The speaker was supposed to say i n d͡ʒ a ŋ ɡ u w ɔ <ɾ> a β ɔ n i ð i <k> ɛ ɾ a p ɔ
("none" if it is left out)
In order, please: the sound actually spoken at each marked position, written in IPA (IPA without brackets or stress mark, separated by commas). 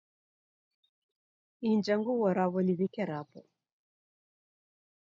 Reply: ɾ, k